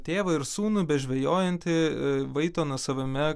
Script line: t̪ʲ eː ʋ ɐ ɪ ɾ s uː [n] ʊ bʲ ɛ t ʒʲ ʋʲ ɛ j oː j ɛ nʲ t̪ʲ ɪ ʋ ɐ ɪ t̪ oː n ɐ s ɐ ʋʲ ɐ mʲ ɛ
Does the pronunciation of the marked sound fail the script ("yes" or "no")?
no